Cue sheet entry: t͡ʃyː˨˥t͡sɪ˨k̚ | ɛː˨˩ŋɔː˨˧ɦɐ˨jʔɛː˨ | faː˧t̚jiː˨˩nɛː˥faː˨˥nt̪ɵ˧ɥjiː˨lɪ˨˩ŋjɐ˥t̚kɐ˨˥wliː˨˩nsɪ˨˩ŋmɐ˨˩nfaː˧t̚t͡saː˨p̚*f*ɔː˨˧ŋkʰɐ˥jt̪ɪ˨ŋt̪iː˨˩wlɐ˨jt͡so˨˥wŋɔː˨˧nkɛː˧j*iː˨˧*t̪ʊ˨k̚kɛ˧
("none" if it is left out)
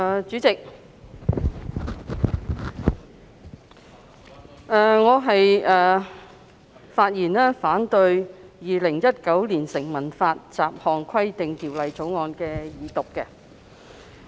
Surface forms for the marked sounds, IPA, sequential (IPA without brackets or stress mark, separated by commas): h, iː˨˧